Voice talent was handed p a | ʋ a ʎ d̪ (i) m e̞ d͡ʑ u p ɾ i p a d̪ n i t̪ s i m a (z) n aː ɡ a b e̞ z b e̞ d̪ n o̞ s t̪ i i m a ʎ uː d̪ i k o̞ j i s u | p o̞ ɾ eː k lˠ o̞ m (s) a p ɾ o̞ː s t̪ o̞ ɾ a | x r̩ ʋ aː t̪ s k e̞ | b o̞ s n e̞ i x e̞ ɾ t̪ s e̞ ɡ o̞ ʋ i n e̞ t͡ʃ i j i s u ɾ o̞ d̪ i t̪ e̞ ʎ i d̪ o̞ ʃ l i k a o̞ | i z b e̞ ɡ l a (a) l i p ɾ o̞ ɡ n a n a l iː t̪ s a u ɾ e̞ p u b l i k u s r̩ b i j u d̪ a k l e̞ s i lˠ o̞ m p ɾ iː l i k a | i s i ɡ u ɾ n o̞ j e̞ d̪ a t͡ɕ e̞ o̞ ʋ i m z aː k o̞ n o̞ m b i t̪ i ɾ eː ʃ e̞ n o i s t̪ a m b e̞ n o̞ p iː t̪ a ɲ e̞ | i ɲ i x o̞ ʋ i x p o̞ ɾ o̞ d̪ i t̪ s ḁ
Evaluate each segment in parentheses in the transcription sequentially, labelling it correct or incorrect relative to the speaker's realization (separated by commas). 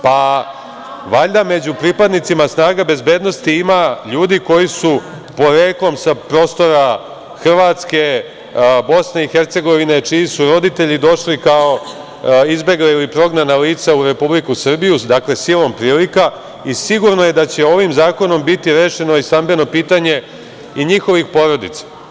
incorrect, incorrect, correct, incorrect